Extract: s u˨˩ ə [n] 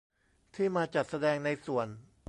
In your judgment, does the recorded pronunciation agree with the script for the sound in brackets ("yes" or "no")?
yes